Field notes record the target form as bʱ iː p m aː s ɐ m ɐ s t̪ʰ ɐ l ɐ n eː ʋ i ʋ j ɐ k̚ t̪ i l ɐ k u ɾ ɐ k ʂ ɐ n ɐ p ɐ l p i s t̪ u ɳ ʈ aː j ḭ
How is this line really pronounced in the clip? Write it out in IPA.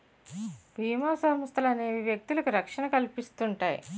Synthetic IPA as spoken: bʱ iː m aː s ɐ m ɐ s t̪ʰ ɐ l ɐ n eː ʋ i ʋ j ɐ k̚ t̪ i l ɐ k u ɾ ɐ k ʂ ɐ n ɐ k ɐ l p i s t̪ u ɳ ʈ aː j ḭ